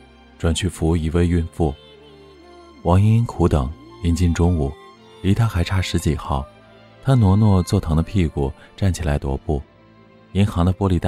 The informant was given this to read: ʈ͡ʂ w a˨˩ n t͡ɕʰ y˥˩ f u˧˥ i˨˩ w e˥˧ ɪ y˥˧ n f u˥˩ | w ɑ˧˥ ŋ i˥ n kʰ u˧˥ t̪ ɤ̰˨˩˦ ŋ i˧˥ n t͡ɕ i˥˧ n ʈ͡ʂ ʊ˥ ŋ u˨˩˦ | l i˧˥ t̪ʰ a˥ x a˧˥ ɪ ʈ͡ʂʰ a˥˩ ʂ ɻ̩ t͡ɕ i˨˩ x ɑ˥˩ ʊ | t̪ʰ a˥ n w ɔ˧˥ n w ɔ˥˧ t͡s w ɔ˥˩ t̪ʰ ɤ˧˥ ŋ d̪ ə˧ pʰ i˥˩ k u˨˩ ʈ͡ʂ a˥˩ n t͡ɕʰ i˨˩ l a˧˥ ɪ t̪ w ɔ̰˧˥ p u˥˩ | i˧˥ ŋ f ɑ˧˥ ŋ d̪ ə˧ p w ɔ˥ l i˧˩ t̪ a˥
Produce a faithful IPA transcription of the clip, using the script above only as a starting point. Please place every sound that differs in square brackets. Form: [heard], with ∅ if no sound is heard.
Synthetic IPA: ʈ͡ʂ w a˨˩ n t͡ɕʰ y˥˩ f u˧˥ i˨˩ w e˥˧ ɪ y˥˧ n f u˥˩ | w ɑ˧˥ ŋ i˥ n kʰ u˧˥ t̪ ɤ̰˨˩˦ ŋ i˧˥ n t͡ɕ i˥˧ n ʈ͡ʂ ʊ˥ ŋ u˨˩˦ | l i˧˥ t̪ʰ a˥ x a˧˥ ɪ ʈ͡ʂʰ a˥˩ ʂ ɻ̩ t͡ɕ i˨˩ x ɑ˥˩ ʊ | t̪ʰ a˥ n w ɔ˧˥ n w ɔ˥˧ t͡s w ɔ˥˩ t̪ʰ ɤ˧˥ ŋ d̪ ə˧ pʰ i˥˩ k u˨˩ ʈ͡ʂ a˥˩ n t͡ɕʰ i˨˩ l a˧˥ ɪ t̪ w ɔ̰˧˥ p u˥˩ | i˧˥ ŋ [x] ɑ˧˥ ŋ d̪ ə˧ p w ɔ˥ l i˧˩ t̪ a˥